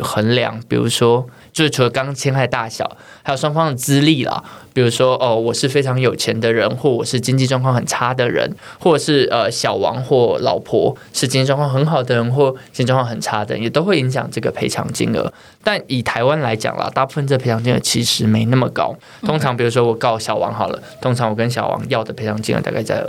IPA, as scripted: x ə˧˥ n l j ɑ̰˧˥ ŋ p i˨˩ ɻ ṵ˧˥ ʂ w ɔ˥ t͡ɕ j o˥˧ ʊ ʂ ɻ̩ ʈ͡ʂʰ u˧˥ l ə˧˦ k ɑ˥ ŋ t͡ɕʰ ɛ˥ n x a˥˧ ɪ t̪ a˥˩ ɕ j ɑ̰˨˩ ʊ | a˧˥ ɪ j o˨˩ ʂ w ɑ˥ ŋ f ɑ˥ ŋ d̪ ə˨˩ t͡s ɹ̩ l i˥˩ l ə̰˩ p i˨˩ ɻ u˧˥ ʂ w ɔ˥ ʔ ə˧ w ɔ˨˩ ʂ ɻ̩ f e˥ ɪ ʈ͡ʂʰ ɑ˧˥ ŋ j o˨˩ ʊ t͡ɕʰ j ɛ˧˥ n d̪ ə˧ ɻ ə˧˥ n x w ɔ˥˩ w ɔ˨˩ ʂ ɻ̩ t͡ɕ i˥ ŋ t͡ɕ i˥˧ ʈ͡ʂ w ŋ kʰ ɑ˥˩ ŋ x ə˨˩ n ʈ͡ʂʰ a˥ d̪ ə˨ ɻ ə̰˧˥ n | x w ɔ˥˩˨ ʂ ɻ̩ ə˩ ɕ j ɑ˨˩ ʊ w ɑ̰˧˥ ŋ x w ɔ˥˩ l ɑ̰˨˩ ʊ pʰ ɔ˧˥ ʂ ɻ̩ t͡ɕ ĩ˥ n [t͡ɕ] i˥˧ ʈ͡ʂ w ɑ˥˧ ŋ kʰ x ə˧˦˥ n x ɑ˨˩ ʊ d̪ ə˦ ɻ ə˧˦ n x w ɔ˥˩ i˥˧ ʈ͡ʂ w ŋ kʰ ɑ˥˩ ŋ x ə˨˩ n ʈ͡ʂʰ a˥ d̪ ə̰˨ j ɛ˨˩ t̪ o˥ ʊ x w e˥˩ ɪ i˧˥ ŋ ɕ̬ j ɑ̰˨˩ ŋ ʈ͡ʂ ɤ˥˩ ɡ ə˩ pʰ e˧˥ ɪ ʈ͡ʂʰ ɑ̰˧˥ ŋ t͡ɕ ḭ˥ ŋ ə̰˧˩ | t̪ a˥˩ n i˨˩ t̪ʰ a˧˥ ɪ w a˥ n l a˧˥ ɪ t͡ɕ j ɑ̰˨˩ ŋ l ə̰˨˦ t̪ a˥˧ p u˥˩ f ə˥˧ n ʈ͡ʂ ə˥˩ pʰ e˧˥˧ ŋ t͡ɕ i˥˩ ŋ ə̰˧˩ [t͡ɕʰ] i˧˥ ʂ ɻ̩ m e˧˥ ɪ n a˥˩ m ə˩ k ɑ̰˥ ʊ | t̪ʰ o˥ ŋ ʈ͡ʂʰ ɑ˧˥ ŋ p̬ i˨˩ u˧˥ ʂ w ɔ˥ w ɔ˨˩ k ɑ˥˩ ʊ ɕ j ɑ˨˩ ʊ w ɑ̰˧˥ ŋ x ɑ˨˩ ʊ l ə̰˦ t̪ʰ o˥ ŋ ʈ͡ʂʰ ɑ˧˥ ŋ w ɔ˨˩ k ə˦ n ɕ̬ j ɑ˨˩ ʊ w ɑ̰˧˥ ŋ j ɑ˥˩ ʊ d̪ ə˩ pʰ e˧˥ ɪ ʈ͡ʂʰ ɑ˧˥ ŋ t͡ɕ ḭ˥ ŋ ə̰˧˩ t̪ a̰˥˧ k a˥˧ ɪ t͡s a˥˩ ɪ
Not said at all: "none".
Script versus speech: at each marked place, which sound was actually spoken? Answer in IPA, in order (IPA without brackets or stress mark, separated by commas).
t͡ɕ, t͡ɕʰ